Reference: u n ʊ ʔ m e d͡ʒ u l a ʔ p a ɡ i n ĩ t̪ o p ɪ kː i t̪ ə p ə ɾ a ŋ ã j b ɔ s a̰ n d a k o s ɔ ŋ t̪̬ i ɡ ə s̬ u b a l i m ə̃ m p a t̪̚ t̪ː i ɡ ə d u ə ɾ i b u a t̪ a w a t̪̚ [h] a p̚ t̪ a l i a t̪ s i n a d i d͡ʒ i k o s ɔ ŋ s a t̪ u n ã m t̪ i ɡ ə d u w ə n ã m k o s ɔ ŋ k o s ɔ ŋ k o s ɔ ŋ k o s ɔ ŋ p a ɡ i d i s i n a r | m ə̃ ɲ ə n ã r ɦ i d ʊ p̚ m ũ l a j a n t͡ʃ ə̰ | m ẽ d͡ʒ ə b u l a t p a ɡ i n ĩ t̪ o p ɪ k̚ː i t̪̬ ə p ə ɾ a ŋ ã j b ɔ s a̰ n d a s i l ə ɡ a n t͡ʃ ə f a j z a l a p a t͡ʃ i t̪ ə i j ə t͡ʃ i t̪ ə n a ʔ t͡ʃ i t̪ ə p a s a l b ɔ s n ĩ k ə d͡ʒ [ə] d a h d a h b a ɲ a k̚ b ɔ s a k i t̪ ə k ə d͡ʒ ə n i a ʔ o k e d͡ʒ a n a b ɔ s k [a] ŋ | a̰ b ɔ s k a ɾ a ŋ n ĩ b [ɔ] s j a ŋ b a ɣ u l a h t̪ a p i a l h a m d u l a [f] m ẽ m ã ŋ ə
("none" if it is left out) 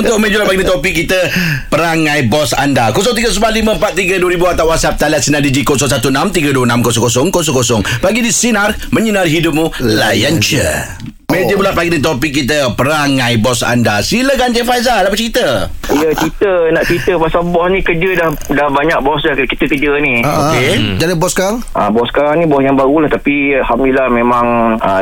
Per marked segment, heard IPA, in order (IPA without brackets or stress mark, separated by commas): s, ə, a, ɔ, h